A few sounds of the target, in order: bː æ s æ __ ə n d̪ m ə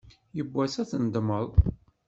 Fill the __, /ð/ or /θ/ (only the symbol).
θ